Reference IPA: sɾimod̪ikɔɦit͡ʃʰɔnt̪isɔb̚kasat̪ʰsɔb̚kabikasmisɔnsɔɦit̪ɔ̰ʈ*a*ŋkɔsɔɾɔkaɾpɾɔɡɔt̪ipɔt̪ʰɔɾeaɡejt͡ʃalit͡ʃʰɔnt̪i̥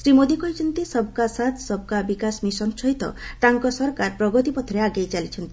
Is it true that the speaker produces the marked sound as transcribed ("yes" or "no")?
yes